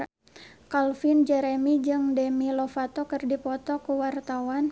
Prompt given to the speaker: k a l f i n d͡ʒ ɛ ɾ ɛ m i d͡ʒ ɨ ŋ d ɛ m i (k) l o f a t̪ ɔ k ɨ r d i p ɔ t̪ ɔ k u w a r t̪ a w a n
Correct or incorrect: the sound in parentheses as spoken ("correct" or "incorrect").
incorrect